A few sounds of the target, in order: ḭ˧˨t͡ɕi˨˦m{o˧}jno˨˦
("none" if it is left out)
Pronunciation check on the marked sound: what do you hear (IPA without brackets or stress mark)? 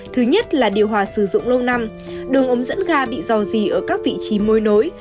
o˧